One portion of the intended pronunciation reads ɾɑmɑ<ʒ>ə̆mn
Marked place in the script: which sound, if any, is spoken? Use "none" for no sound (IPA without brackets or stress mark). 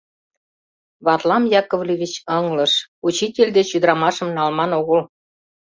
ʃ